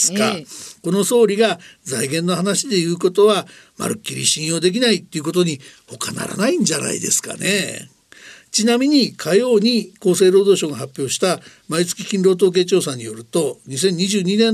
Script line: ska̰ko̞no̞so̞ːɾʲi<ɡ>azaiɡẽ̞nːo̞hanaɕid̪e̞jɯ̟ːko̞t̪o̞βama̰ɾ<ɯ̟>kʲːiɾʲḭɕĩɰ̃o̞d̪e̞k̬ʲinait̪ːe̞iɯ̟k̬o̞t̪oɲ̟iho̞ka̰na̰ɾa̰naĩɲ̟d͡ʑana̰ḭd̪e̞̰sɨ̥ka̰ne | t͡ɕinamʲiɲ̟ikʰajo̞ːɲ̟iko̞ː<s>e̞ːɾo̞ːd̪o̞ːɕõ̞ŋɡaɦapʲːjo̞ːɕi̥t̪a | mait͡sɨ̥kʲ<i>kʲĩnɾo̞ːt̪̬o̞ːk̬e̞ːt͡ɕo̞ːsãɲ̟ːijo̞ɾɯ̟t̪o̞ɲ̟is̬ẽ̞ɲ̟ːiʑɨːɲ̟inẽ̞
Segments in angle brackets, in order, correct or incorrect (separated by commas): correct, correct, correct, correct